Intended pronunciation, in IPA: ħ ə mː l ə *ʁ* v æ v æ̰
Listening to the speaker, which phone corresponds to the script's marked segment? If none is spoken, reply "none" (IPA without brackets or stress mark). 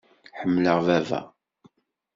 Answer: ʁ